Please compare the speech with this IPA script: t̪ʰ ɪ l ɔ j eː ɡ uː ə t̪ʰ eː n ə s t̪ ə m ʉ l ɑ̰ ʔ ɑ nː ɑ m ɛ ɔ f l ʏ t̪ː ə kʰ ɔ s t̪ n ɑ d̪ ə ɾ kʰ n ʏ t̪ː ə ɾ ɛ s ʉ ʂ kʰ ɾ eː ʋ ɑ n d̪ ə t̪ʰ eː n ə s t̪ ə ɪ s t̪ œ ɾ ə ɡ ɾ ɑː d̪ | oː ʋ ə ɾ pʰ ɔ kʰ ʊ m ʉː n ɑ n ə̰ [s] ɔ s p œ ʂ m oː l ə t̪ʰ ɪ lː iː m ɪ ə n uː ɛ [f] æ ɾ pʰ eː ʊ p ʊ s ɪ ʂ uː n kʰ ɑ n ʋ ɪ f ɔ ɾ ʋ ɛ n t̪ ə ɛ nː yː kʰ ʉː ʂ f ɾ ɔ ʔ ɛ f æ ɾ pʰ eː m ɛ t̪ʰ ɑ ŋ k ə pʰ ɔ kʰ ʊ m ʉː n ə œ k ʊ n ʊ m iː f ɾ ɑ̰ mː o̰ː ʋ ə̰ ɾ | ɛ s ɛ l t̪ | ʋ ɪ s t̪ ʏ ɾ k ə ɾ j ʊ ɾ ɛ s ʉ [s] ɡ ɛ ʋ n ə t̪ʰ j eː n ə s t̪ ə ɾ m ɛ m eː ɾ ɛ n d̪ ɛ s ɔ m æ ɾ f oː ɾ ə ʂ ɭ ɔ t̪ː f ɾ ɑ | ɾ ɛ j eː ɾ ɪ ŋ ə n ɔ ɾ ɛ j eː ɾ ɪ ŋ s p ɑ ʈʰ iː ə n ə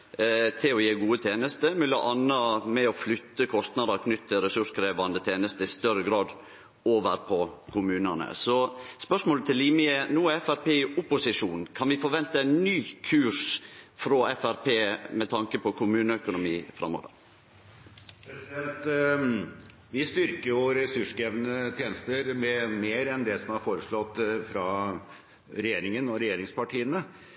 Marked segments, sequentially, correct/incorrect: correct, correct, incorrect: ʂ

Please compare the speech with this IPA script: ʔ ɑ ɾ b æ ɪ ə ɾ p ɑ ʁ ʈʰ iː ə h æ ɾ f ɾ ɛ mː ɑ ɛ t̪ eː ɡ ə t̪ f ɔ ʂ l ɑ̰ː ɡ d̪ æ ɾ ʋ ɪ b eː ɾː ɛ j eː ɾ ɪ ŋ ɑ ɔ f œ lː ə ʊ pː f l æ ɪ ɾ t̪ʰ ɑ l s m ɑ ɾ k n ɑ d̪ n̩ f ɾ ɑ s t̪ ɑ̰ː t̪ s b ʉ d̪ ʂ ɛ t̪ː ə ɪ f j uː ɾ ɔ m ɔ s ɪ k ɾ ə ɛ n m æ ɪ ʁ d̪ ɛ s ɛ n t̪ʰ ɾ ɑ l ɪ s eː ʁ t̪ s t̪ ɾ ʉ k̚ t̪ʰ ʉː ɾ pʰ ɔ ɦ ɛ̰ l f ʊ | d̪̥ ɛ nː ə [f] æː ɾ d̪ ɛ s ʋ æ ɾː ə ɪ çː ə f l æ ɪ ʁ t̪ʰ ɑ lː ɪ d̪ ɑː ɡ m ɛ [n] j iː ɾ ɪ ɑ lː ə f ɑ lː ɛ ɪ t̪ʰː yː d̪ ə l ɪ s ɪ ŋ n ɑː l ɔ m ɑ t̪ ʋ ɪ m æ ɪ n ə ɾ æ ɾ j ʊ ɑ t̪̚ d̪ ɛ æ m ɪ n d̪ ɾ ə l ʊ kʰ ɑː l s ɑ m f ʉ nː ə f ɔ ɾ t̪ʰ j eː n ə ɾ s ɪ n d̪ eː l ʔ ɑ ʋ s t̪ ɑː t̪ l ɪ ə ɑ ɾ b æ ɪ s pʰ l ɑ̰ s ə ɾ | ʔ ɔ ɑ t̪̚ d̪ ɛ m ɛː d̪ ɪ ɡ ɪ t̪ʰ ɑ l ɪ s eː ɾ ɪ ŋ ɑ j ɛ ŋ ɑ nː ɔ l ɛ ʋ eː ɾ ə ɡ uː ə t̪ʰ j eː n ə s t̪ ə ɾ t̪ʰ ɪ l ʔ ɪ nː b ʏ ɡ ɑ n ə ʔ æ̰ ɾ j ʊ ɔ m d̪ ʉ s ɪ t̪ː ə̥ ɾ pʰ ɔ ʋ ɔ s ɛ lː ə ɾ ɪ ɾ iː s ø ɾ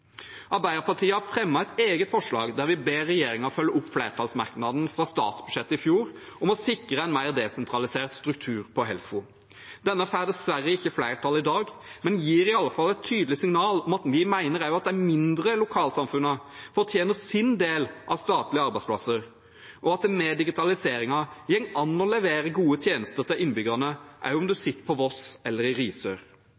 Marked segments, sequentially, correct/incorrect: correct, correct

